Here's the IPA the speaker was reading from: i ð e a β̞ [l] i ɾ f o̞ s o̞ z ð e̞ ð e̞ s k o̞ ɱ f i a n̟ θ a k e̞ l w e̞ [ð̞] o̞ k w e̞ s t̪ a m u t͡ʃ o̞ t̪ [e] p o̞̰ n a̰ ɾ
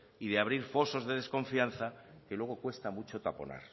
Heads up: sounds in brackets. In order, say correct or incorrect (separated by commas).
incorrect, incorrect, incorrect